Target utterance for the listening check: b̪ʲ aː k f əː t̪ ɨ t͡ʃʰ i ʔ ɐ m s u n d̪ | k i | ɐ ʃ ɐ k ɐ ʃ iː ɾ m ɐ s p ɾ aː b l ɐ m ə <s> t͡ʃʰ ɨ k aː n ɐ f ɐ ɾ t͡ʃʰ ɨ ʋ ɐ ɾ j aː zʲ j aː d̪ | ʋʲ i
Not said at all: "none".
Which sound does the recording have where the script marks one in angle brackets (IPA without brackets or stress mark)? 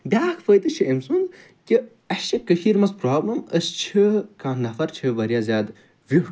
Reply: s